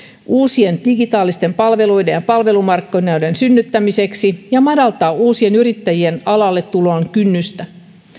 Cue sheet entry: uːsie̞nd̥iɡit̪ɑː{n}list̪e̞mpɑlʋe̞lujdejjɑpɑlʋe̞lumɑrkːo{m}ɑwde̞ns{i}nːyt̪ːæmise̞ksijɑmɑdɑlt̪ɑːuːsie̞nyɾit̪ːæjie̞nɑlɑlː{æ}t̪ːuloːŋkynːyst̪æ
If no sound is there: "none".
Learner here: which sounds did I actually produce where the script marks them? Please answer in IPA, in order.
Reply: none, n, y, e

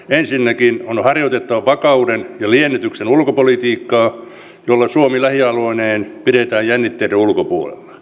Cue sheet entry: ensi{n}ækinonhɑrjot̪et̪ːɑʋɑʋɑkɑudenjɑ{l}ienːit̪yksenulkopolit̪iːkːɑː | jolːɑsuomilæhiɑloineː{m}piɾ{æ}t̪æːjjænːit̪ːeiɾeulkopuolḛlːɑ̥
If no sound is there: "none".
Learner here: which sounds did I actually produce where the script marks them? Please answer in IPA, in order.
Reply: nː, l, n, e

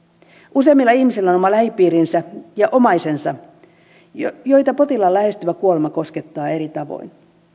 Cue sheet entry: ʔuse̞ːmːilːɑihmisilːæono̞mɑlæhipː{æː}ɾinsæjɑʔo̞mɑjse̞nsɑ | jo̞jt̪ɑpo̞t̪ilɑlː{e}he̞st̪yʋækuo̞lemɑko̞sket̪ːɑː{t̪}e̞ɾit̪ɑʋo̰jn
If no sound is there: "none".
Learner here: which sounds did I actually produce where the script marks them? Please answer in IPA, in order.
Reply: iː, æ, none

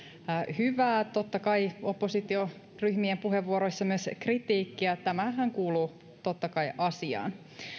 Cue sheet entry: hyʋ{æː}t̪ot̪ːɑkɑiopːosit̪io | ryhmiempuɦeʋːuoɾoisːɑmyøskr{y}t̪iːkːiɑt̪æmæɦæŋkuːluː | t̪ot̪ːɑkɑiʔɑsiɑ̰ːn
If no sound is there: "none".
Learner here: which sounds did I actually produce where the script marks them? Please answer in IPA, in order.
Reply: æː, i

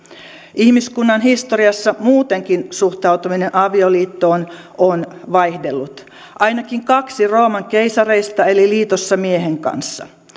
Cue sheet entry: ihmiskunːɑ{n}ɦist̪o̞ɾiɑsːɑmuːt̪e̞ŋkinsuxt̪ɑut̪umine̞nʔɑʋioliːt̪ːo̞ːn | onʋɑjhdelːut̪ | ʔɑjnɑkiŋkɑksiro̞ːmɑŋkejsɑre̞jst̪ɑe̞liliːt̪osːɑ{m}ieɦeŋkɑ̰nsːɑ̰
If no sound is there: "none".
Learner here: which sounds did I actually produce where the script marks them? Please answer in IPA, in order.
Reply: n, m

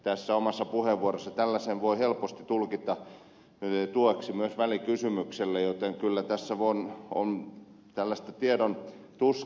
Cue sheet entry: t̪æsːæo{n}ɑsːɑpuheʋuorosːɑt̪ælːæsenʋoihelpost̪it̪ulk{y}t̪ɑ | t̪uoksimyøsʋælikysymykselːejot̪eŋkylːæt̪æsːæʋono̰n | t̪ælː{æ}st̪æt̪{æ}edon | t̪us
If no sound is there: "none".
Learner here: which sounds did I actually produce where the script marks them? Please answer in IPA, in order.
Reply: m, i, æ, i

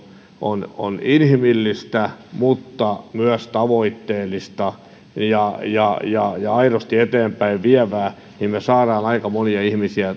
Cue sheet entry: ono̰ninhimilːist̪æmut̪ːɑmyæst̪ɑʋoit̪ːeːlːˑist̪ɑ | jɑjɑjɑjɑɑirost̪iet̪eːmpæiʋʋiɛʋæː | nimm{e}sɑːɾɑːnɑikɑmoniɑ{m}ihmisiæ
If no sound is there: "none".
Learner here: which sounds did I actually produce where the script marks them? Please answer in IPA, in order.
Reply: e, none

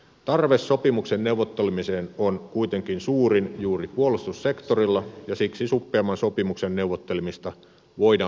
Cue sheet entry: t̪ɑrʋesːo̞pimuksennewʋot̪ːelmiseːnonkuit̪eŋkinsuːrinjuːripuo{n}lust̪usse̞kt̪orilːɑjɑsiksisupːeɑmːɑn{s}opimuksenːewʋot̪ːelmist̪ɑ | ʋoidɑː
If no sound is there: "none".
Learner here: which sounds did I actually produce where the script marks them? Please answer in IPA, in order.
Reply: none, s

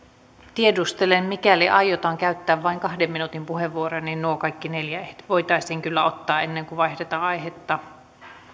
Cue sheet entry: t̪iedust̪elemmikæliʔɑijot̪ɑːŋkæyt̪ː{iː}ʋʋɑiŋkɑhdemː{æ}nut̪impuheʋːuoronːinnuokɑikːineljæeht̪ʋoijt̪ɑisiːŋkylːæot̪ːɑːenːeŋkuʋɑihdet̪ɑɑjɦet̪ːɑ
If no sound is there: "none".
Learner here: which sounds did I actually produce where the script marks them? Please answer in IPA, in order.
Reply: æː, i

